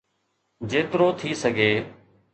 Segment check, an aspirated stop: present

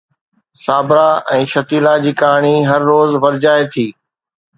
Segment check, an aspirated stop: present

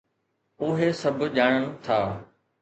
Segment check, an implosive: present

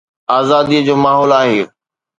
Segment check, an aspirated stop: absent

